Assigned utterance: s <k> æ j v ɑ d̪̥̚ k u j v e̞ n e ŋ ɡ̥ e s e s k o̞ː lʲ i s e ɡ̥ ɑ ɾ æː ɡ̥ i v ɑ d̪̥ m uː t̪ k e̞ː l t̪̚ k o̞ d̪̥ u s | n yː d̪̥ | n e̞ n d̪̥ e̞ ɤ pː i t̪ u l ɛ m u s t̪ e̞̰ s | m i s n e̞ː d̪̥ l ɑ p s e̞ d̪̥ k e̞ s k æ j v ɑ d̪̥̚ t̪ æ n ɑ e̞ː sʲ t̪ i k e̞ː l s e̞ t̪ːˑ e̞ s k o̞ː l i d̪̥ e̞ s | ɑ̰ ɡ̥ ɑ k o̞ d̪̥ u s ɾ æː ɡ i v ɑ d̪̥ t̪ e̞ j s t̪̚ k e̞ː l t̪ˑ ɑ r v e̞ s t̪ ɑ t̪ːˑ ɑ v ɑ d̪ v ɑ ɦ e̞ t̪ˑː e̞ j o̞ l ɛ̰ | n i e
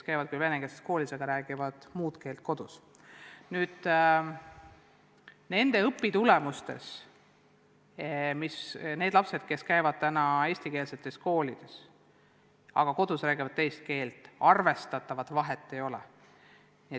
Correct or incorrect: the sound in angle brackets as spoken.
correct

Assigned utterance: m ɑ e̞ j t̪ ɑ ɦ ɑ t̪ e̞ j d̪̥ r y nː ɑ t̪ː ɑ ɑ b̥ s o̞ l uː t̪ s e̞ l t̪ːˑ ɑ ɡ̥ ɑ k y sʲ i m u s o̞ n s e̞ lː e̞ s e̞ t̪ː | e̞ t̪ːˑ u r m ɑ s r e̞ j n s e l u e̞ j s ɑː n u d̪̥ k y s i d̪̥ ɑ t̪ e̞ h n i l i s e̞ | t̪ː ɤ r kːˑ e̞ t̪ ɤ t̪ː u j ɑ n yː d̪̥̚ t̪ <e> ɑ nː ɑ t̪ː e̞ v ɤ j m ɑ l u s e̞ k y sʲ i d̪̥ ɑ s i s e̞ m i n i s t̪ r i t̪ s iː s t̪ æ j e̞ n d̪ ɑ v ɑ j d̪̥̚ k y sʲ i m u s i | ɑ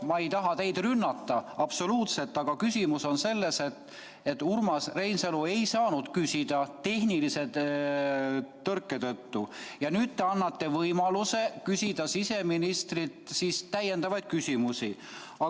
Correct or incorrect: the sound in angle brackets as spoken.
correct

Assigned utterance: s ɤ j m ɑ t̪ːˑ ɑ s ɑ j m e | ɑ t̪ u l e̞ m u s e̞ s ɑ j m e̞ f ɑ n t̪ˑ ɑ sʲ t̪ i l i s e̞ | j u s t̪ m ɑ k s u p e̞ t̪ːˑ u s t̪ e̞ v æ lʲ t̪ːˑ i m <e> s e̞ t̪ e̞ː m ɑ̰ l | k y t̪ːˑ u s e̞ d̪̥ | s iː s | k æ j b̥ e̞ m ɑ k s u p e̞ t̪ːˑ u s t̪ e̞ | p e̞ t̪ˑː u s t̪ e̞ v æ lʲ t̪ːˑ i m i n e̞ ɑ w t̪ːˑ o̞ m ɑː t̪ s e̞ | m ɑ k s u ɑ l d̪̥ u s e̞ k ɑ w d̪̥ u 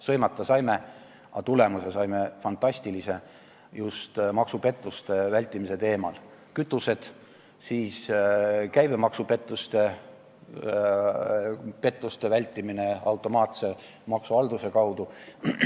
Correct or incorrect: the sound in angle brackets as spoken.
incorrect: i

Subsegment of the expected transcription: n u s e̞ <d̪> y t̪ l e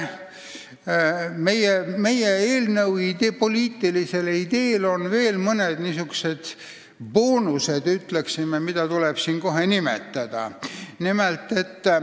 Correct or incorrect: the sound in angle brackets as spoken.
correct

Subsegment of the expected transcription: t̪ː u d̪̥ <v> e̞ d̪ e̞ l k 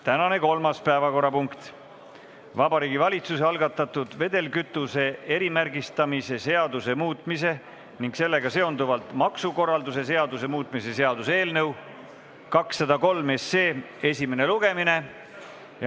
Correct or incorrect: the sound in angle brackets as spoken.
correct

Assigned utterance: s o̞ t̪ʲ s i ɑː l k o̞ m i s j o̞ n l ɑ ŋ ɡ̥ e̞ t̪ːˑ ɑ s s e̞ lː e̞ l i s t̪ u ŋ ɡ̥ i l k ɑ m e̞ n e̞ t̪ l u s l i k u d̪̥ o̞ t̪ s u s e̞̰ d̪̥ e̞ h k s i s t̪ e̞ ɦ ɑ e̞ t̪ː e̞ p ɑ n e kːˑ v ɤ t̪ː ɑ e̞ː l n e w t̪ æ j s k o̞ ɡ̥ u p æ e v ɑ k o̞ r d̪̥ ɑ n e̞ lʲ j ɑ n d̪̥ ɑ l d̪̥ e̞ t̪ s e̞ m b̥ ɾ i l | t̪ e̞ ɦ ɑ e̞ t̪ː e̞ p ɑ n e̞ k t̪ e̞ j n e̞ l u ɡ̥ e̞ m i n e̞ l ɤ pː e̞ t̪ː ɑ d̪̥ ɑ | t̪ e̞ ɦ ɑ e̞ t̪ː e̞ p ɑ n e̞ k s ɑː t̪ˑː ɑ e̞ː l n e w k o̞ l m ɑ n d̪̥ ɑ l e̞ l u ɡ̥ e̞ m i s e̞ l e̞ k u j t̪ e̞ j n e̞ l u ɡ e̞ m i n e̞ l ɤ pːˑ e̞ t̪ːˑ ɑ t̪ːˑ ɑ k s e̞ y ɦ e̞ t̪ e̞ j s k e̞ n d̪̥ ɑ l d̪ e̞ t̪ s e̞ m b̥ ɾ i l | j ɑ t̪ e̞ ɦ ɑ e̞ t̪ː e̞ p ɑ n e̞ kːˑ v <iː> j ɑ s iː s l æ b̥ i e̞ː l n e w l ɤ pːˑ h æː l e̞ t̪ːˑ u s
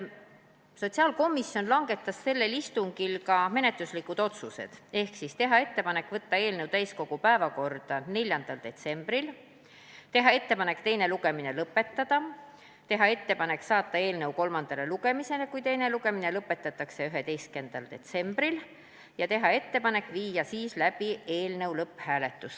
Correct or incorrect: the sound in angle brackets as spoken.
correct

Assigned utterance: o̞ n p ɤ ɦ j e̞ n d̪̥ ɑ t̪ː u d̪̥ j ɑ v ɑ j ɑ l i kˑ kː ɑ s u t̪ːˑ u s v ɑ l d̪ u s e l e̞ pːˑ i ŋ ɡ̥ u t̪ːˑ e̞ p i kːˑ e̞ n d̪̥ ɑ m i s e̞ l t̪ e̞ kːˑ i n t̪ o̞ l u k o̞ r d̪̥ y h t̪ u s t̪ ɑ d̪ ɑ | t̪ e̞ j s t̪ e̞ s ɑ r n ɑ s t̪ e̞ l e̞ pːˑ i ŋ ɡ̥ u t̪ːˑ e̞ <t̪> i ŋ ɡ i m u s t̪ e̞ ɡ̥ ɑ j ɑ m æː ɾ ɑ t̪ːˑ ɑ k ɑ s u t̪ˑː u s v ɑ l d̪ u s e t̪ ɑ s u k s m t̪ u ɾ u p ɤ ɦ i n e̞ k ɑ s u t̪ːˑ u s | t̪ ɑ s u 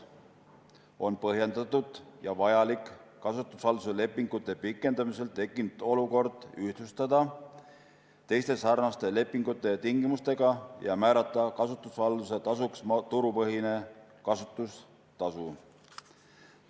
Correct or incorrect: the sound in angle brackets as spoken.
correct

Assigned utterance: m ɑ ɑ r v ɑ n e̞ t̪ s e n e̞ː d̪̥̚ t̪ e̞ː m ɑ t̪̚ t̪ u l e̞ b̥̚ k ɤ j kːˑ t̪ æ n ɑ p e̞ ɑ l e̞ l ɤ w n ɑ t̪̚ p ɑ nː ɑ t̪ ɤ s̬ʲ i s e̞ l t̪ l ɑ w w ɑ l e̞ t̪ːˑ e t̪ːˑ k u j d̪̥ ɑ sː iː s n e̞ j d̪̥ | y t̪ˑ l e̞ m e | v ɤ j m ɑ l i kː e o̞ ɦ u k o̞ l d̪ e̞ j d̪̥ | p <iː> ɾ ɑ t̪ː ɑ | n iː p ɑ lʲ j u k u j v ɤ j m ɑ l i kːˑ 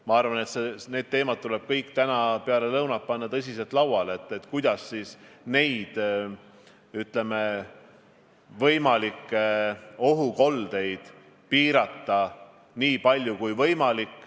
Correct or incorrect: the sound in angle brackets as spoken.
correct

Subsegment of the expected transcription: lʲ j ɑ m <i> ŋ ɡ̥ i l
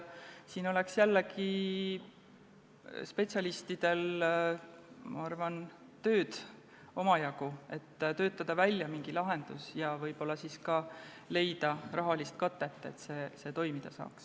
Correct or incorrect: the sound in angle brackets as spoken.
correct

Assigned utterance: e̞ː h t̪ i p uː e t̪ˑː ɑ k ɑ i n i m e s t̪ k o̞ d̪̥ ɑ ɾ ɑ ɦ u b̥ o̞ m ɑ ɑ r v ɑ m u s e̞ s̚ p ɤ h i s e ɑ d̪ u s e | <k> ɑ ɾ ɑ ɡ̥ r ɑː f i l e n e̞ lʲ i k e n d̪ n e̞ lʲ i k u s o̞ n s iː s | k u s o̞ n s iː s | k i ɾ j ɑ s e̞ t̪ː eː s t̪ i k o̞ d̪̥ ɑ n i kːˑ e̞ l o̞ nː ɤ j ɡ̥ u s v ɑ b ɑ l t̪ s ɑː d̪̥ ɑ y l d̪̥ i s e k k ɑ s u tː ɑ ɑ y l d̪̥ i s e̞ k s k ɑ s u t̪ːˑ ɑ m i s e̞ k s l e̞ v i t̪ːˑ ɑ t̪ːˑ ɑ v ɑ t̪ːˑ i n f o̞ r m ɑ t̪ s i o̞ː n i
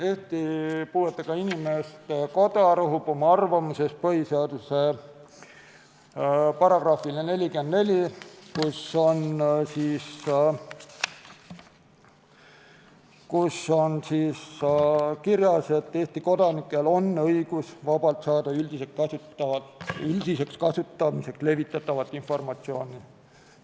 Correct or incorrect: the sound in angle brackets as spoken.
incorrect: p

